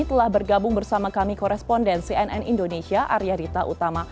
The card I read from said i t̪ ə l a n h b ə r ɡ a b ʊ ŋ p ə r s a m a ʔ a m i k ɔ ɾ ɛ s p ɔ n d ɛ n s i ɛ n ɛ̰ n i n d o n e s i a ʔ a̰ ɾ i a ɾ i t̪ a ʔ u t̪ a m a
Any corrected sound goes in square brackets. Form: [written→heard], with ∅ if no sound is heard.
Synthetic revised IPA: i t̪ ə l a [n→∅] h b ə r ɡ a b ʊ ŋ [p→b] ə r s a m a [ʔ→k] a m i k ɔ ɾ ɛ s p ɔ n d ɛ n s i ɛ n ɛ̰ n i n d o n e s i a ʔ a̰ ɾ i a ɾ i t̪ a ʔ u t̪ a m a